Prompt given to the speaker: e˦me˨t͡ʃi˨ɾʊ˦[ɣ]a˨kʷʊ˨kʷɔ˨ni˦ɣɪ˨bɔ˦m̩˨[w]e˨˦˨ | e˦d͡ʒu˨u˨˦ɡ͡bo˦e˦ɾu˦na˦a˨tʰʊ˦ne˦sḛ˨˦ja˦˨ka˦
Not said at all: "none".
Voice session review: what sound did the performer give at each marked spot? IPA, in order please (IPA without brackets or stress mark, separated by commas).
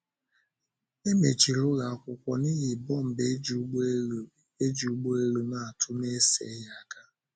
ɣ, b